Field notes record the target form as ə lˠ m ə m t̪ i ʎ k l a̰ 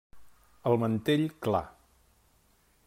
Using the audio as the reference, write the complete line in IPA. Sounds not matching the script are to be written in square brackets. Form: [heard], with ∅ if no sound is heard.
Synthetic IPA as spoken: ə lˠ m ə [n] t̪ [e] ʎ k l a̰